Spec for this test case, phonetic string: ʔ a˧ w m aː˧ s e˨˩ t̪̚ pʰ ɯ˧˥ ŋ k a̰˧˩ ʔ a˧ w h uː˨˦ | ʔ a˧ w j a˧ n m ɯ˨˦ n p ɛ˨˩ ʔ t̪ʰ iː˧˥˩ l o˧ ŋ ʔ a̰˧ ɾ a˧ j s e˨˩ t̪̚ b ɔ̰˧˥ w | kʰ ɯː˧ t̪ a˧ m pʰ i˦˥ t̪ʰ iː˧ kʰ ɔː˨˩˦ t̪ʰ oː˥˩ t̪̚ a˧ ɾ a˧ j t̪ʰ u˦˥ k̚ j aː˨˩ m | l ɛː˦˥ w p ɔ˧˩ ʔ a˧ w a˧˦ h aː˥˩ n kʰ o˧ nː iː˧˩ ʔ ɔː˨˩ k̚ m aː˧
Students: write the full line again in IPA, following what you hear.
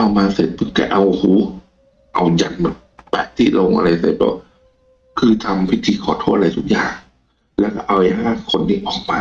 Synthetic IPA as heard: ʔ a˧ w m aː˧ s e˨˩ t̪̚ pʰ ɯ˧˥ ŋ k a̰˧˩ ʔ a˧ w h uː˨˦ | ʔ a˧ w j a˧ n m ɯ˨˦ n p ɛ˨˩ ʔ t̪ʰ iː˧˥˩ l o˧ ŋ ʔ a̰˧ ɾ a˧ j s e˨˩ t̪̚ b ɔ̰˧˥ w | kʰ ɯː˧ t̪ʰ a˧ m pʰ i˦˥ t̪ʰ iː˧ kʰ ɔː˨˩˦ t̪ʰ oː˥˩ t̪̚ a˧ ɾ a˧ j t̪ʰ u˦˥ k̚ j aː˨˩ ŋ | l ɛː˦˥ w k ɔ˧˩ ʔ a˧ w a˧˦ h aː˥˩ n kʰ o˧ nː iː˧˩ ʔ ɔː˨˩ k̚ m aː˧